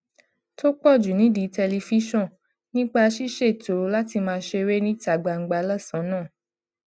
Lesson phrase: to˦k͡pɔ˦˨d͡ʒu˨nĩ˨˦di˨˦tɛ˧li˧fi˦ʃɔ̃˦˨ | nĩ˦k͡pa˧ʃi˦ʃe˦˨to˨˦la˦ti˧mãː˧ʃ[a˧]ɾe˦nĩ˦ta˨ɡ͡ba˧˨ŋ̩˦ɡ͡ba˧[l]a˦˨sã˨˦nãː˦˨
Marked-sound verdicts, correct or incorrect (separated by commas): incorrect, correct